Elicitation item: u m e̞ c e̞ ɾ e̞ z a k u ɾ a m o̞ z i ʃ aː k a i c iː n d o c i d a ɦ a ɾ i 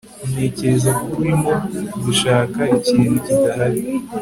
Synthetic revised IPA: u m e̞ c e̞ ɾ e̞ z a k u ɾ i m o̞ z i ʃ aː k a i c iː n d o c i d a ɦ a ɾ i